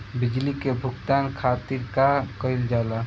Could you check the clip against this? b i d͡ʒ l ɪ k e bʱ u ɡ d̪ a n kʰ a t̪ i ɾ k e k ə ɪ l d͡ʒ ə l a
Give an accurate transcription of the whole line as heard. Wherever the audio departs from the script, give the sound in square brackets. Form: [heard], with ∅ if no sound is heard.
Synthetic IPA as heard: b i d͡ʒ l [i] k e bʱ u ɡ [t̪] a n kʰ a t̪ i ɾ k [a] k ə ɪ l d͡ʒ [a] l a